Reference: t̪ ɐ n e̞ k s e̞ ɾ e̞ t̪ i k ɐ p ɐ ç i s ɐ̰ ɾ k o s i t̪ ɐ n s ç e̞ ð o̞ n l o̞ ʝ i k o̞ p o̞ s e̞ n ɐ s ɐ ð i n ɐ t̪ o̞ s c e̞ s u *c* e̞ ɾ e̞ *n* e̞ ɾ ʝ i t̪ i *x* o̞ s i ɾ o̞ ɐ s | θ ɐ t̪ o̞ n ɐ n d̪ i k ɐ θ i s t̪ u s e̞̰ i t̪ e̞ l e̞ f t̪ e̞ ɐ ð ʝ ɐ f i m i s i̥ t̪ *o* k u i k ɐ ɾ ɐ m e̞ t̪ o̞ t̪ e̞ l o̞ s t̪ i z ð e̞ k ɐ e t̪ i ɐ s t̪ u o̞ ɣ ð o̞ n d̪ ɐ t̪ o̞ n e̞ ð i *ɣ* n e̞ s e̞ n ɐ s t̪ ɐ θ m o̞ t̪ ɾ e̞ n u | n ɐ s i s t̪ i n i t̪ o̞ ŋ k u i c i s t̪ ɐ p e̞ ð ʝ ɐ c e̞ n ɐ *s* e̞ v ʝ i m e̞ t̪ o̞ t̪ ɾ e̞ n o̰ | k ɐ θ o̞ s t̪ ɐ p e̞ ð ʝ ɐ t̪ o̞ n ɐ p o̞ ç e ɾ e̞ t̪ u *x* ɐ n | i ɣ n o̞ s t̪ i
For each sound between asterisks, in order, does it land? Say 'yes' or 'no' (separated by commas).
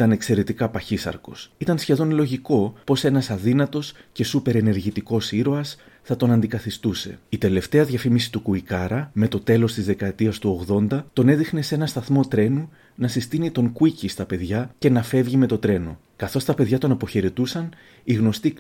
no, yes, no, no, no, no, no